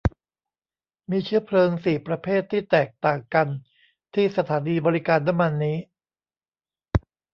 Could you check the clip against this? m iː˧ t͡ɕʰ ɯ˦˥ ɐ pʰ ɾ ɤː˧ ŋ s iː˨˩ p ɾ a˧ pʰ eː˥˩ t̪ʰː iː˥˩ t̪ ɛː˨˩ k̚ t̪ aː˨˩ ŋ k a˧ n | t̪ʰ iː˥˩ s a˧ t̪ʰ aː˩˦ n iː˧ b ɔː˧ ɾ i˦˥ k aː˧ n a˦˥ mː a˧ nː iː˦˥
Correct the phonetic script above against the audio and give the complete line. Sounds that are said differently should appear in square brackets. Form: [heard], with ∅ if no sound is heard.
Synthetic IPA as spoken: m iː˧ t͡ɕʰ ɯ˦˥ ɐ pʰ [l] ɤː˧ ŋ s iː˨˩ p ɾ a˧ pʰ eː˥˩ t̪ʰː iː˥˩ t̪ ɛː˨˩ k̚ t̪ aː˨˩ ŋ k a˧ n | t̪ʰ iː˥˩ s a˧ t̪ʰ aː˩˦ n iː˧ b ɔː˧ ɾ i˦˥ k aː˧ [nː] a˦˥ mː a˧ nː iː˦˥